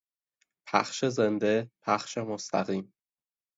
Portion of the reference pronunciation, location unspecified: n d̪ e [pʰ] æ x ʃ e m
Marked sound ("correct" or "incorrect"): correct